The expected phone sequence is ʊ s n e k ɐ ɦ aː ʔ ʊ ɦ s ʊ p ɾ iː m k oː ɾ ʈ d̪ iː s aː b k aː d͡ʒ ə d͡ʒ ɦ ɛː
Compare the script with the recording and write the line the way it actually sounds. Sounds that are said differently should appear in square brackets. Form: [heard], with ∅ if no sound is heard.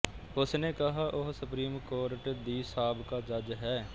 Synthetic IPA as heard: ʊ s n e k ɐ ɦ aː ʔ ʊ ɦ s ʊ p ɾ iː m k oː ɾ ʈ d̪ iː s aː b k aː d͡ʒ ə d͡ʒ ɦ ɛː